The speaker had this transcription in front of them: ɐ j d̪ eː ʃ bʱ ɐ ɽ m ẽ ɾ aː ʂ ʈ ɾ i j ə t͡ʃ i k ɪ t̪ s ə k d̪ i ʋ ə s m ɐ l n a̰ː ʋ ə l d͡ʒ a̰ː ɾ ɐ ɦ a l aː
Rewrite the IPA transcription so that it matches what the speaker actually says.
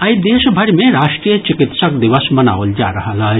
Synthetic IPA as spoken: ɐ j d̪ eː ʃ bʱ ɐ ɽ m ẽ ɾ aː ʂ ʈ ɾ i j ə t͡ʃ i k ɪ t̪ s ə k d̪ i ʋ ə s m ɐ n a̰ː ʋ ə l d͡ʒ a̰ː ɾ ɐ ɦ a l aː